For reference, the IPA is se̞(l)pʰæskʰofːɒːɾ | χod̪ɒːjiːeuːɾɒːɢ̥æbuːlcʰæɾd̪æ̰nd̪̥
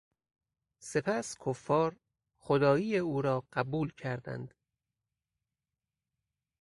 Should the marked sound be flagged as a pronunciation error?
yes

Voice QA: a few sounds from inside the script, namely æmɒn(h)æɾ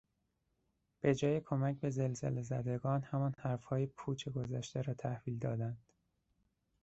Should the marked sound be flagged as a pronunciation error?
no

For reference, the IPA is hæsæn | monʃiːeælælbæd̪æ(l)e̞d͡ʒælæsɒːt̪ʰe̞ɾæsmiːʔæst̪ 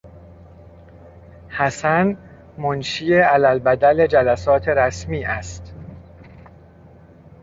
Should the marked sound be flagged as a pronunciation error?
no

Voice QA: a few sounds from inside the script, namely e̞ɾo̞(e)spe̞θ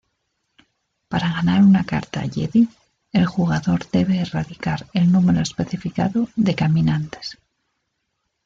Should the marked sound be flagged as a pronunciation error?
no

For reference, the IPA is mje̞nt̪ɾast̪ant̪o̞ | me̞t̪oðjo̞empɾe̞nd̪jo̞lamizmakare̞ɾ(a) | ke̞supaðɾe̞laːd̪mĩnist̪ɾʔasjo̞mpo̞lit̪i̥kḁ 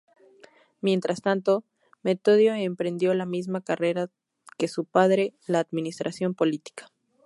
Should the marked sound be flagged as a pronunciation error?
no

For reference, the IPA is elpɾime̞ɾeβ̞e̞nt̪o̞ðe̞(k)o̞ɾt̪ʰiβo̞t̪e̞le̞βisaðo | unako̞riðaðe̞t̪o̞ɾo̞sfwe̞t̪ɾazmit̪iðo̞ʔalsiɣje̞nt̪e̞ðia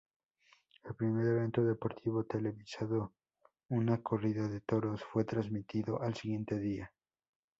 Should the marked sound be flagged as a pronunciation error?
yes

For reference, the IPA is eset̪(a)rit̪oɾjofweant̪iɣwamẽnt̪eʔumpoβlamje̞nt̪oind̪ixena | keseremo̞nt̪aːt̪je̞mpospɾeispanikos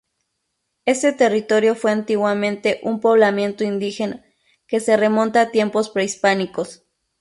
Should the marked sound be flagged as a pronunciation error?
yes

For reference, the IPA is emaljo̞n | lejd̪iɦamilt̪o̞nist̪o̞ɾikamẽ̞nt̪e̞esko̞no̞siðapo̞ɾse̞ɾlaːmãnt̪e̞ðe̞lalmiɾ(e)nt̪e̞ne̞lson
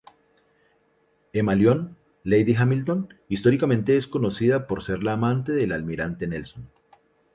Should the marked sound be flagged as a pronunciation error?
yes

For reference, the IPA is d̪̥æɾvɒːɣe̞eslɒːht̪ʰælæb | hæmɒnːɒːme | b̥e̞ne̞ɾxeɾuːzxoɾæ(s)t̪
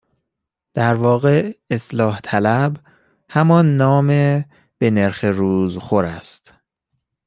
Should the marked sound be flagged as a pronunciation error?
no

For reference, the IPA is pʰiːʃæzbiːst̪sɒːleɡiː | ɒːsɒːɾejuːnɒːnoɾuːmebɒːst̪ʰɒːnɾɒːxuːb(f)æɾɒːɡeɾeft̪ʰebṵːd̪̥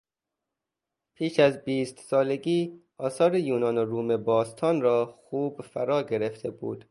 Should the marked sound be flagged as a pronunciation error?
no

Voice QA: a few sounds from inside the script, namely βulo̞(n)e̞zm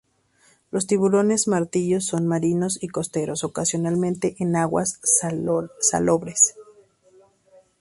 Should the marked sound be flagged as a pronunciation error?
no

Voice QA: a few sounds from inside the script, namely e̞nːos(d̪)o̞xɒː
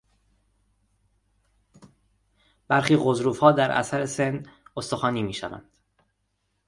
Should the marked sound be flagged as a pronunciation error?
yes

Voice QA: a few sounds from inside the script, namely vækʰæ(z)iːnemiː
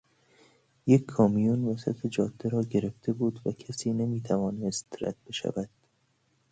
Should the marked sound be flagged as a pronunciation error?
yes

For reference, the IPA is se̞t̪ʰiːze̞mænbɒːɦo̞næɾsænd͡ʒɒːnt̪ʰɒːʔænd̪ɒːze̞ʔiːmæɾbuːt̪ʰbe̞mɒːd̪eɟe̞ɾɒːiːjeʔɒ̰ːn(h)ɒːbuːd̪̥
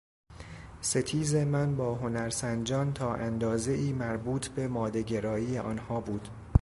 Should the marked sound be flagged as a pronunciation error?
no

